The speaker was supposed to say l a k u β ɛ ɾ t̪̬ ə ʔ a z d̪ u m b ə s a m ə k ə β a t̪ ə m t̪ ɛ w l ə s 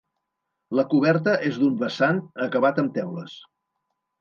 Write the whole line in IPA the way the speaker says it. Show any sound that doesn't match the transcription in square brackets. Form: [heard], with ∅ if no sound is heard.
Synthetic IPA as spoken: l [ə] k u β ɛ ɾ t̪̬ ə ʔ [e] z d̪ u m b ə s a [n] ə k ə β a t̪ ə m t̪ ɛ w l ə s